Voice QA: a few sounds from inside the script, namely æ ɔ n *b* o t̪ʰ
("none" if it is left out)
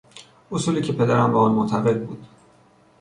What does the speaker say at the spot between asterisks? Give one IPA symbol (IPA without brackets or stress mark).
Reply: m